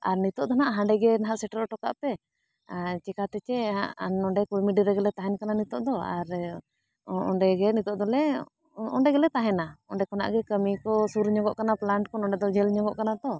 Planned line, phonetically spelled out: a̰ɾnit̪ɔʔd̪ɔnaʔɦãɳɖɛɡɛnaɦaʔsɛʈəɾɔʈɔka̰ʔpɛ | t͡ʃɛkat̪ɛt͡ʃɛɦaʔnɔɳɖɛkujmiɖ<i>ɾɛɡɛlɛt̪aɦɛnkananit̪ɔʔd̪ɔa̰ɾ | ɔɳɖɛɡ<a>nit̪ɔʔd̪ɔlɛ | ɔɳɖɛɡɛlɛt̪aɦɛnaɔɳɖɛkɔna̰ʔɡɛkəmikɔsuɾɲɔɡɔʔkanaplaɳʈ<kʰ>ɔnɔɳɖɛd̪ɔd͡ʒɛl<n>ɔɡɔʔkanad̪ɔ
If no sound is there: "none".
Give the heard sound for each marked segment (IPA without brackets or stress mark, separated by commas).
i, ɛ, k, ɲ